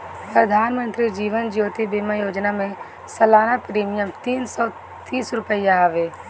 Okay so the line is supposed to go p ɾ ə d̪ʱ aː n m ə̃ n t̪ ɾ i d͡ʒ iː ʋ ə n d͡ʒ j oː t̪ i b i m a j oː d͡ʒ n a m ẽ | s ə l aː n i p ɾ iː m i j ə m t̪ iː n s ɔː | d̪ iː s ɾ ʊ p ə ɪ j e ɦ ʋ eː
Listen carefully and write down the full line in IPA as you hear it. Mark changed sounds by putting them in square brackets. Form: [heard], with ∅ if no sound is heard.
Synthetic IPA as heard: p ɾ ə d̪ʱ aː n m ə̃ n t̪ ɾ i d͡ʒ iː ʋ ə n d͡ʒ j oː t̪ i b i m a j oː d͡ʒ n a m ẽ | s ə l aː n [a] p ɾ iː m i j ə m t̪ iː n s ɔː | [t̪] iː s ɾ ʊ p ə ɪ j [a] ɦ ʋ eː